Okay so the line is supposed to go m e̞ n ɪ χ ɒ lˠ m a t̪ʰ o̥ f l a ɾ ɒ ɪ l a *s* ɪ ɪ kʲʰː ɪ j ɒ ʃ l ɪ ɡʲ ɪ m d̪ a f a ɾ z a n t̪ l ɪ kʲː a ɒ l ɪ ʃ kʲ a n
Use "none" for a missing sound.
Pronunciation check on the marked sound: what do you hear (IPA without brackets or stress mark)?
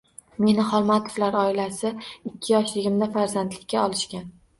s